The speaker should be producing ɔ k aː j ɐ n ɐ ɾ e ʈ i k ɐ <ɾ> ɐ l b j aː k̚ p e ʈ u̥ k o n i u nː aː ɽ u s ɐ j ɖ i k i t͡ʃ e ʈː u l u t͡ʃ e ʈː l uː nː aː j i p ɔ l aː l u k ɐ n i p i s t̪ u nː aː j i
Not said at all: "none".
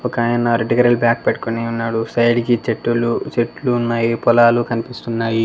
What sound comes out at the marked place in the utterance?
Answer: ɾ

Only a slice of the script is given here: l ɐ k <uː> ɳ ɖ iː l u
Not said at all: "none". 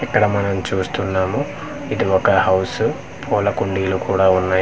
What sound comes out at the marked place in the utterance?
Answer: u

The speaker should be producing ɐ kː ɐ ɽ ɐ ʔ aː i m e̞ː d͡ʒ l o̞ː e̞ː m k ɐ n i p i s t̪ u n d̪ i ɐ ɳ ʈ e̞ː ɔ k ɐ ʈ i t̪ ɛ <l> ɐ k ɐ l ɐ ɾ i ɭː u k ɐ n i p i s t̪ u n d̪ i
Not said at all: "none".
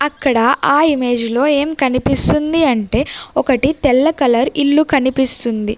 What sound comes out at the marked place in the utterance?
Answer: lː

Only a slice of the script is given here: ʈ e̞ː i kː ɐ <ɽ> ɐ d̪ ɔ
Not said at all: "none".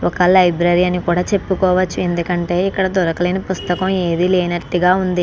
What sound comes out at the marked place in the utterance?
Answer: ɽ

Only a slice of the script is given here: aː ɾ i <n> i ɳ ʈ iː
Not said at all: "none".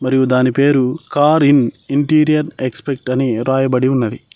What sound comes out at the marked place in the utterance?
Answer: n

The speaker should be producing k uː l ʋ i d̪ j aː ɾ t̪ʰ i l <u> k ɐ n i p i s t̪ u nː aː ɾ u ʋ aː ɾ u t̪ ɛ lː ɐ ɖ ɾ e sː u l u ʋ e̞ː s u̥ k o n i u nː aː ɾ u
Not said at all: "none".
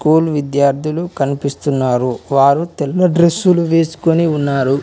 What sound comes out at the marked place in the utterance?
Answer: u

